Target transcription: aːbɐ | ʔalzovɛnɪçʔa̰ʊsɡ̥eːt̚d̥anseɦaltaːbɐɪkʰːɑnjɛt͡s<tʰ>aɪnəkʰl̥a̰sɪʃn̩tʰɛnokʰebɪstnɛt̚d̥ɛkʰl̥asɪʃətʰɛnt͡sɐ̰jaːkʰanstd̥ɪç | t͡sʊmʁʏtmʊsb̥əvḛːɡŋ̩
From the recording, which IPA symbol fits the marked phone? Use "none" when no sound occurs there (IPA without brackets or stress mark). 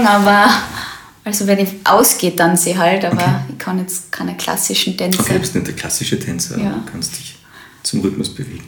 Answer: kʰ